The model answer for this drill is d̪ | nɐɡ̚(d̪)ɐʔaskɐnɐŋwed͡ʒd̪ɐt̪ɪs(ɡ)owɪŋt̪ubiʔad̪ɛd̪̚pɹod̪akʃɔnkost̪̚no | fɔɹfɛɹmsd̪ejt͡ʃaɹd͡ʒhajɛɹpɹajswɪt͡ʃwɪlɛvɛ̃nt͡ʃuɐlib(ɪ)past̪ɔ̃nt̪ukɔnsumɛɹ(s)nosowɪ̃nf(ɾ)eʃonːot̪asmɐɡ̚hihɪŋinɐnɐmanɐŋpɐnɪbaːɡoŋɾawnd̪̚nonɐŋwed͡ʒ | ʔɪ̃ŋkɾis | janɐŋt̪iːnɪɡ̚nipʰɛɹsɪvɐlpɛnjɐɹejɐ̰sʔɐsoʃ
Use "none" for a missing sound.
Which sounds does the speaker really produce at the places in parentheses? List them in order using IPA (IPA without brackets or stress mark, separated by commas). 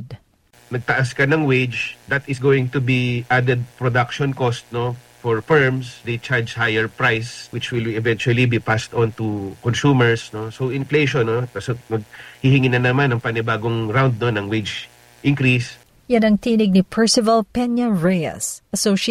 t̪, ɡ, i, s, l